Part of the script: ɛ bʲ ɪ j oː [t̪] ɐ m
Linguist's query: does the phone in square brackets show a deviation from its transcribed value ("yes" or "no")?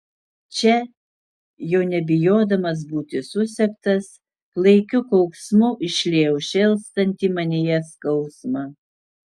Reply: yes